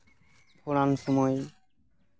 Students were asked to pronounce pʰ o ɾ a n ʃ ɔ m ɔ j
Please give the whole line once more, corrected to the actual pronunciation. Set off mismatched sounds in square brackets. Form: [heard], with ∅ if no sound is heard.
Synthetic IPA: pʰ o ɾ a n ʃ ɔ m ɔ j